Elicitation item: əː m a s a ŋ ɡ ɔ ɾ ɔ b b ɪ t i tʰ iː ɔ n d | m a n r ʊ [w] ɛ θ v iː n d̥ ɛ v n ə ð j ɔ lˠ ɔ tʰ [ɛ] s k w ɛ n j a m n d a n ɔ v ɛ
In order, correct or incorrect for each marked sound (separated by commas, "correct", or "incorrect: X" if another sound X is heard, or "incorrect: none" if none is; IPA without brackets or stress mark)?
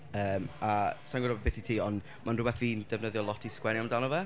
incorrect: b, incorrect: i